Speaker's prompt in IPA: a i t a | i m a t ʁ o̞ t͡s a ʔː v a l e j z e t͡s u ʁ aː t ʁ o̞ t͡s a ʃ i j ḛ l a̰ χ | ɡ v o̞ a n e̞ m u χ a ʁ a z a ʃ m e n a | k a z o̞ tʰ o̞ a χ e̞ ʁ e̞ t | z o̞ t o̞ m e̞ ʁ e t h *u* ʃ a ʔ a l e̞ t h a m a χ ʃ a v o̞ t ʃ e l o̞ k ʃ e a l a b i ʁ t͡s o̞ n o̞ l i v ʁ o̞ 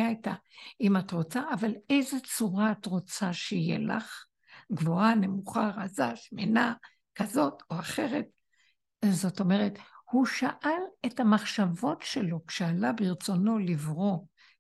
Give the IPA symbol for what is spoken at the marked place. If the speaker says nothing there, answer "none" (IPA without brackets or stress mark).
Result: u